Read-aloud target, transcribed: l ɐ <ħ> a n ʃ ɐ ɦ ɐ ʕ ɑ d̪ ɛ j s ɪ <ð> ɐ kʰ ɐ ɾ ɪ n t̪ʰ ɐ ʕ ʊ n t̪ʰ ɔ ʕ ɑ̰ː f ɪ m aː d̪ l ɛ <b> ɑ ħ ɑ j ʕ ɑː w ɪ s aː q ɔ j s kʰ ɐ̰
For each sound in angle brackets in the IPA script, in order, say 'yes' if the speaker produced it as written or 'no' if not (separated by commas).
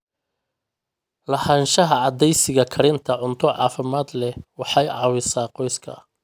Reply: no, no, no